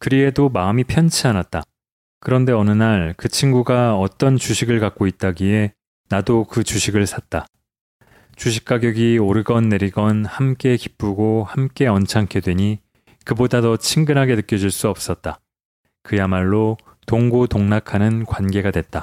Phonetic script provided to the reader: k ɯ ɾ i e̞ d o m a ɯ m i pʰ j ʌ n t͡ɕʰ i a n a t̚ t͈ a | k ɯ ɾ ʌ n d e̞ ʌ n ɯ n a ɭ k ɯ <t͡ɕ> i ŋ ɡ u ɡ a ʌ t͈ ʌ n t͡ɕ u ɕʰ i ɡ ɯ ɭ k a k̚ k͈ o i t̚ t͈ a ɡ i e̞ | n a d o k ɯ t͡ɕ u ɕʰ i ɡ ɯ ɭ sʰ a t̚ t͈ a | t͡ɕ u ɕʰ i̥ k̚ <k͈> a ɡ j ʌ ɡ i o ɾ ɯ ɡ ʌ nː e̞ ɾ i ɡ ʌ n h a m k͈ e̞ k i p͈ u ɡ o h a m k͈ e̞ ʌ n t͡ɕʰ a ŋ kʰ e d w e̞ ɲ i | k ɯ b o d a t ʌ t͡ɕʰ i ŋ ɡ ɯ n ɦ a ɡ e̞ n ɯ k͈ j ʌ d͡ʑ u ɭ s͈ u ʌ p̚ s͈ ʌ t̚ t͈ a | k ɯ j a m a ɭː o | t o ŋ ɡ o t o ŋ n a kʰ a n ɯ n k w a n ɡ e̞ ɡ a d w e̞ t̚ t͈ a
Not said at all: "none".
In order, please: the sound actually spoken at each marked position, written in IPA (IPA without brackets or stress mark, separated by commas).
t͡ɕʰ, k͈